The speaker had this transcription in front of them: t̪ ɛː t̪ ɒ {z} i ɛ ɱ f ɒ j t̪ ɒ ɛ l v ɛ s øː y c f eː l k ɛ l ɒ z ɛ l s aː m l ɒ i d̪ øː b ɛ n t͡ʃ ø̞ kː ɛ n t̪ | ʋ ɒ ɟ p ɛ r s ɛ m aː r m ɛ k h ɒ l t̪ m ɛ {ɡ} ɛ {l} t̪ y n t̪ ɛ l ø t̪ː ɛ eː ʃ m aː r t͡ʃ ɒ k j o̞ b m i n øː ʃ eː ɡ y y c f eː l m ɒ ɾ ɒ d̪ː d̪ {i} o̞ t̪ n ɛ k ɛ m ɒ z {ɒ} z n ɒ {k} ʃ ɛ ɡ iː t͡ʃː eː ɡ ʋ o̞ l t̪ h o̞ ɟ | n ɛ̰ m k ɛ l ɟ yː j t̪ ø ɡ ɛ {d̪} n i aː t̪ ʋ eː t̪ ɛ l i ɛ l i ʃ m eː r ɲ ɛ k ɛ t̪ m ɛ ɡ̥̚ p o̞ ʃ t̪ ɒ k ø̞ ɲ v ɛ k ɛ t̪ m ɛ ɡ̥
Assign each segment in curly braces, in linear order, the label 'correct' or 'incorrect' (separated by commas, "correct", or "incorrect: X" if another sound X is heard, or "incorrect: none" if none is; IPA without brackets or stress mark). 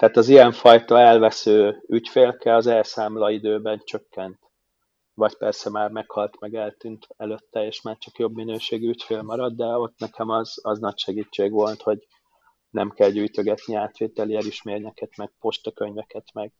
correct, correct, correct, incorrect: ɛ, correct, incorrect: c, incorrect: t̪